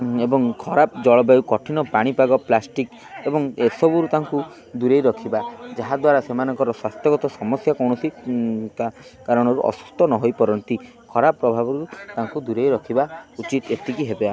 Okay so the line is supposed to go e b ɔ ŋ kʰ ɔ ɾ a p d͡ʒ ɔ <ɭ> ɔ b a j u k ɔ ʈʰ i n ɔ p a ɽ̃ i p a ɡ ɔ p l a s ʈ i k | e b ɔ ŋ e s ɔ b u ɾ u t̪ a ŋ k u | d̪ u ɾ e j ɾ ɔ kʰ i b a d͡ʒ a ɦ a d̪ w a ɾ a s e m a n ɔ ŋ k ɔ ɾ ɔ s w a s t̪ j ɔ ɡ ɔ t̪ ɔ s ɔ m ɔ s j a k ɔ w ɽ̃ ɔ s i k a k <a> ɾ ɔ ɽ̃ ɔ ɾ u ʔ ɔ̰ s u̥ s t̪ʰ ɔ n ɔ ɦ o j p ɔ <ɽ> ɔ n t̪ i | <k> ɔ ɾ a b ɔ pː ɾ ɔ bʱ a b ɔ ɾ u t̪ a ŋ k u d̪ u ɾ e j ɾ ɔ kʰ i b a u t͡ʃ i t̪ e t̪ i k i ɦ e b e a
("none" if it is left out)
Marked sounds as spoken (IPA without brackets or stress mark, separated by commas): ɭ, a, ɾ, kʰ